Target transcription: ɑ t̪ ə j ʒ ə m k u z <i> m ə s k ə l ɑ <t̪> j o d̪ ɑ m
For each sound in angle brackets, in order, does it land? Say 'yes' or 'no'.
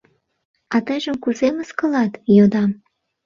no, yes

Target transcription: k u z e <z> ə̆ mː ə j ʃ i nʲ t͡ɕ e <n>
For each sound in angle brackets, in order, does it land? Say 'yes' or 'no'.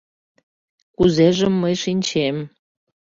no, no

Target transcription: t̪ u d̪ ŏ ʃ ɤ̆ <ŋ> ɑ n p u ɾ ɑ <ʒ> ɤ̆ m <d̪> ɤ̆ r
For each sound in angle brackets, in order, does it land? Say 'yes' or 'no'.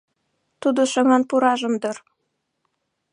yes, yes, yes

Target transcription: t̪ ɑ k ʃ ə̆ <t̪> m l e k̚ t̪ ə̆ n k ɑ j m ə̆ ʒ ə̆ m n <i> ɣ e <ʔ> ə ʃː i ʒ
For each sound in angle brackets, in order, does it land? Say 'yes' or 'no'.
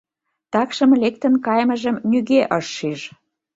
no, no, yes

